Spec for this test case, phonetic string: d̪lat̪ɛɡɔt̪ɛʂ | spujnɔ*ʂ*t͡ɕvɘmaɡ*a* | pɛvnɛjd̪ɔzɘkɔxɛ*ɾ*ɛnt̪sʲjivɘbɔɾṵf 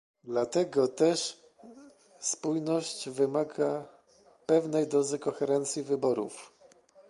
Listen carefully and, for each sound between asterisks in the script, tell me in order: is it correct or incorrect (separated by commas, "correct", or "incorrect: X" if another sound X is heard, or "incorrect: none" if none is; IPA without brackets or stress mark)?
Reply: incorrect: ɕ, correct, correct